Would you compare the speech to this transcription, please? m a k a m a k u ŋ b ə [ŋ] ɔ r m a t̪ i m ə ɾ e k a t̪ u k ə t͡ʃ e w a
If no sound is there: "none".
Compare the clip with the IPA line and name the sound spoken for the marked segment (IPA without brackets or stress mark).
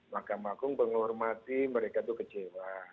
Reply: ŋ